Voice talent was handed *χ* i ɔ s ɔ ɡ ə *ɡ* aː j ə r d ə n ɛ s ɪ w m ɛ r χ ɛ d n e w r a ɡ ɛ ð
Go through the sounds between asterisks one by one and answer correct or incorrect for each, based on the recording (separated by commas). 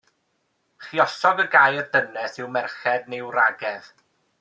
correct, correct